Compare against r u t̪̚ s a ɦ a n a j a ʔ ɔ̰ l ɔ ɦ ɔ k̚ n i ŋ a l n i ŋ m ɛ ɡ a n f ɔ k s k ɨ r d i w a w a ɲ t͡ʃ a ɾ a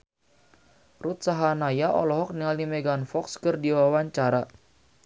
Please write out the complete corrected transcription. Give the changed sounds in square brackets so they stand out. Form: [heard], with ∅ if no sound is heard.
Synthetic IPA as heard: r u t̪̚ s a ɦ a n a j a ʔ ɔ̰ l ɔ ɦ ɔ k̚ n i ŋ a l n i [∅] m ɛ ɡ a n f ɔ k s k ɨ r d i w a w a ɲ t͡ʃ a ɾ a